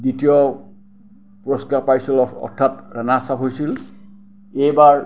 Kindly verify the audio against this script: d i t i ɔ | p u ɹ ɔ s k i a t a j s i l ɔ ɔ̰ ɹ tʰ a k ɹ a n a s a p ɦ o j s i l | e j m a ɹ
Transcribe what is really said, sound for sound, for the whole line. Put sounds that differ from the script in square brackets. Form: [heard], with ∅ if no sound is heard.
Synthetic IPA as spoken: d i t i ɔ | p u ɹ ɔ s k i a [p] a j s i l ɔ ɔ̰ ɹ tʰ a [t] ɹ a n a s a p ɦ o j s i l | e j [b] a ɹ